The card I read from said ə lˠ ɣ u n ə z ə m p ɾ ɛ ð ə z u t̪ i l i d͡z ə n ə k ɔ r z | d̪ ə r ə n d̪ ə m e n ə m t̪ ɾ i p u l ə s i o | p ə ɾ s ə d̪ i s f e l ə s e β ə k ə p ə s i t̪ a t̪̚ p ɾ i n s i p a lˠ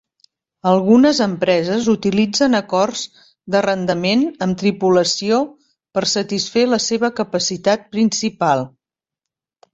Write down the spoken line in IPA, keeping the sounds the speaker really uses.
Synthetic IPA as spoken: ə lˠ ɣ u n ə z ə m p ɾ ɛ z ə z u t̪ i l i d͡z ə n ə k ɔ r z | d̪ ə r ə n d̪ ə m e n ə m t̪ ɾ i p u l ə s i o | p ə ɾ s ə t̪ i s f e l ə s e β ə k ə p ə s i t̪ a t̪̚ p ɾ i n s i p a lˠ